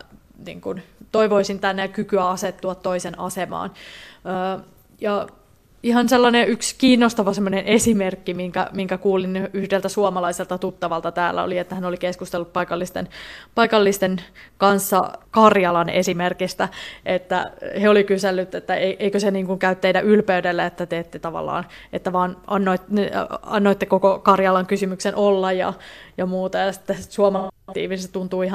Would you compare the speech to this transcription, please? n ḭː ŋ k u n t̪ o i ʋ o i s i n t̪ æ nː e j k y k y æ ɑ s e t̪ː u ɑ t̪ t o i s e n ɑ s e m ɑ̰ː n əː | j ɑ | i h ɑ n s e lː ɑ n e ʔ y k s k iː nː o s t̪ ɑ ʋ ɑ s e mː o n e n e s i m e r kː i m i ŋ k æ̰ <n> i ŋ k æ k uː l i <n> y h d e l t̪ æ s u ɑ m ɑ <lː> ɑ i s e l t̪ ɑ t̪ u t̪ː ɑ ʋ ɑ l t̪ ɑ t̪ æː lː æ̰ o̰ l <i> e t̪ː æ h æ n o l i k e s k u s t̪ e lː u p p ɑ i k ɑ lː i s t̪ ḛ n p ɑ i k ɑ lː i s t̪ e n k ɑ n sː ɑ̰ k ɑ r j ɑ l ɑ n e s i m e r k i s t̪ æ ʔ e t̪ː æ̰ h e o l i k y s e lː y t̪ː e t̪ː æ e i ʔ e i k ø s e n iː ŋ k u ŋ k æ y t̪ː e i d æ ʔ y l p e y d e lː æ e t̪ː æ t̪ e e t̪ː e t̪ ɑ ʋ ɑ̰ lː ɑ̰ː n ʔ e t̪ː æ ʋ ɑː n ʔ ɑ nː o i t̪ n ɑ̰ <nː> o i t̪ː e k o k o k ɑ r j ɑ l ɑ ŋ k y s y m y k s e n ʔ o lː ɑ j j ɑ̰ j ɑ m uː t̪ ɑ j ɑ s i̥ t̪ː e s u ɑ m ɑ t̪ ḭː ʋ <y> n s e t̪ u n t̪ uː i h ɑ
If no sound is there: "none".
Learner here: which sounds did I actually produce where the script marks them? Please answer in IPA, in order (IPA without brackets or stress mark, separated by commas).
m, n, l, i, nː, i